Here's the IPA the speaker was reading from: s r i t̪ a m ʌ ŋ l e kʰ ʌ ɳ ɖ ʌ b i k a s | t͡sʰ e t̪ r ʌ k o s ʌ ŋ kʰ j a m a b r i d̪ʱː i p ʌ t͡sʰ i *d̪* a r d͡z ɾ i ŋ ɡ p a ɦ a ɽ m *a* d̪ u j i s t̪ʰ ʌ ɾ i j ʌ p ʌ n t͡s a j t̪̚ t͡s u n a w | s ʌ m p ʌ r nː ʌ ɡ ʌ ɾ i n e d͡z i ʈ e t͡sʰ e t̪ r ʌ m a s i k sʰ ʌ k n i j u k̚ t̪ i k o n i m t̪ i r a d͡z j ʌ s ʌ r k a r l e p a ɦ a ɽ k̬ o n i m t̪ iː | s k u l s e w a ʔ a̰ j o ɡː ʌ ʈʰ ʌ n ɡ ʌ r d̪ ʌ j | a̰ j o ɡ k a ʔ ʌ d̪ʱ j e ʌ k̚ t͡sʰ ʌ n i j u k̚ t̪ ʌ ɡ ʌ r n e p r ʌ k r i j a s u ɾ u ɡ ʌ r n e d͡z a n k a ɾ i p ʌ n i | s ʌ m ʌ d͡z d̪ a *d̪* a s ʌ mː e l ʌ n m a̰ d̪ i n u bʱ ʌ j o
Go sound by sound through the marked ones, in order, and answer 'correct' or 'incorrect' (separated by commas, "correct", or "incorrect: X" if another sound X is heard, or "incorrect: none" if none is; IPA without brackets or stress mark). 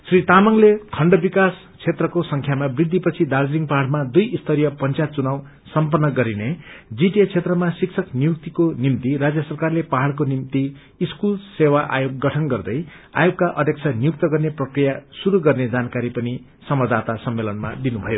correct, correct, incorrect: t̪